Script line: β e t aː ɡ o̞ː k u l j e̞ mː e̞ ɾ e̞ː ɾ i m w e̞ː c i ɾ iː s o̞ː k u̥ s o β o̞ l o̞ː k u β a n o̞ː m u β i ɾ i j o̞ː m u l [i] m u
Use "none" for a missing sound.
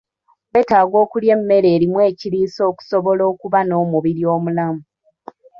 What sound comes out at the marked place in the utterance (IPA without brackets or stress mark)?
a